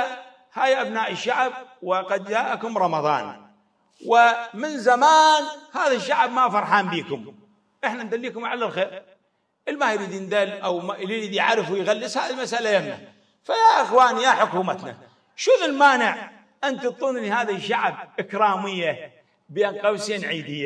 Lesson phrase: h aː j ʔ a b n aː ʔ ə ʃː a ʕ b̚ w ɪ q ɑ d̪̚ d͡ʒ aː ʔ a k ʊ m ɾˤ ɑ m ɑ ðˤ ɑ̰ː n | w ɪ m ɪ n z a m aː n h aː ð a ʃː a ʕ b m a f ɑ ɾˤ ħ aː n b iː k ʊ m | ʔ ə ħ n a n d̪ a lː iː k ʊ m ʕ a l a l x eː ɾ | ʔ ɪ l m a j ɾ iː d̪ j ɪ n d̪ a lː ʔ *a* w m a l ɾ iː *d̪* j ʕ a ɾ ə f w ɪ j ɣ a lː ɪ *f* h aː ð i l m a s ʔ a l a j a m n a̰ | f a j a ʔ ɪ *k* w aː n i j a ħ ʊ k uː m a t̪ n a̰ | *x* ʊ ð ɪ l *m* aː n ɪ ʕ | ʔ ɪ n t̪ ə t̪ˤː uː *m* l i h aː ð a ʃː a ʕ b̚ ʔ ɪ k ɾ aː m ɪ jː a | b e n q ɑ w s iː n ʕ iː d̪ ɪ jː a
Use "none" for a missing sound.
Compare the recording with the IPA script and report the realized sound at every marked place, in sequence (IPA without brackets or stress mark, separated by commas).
a, d̪, s, x, ʃ, m, n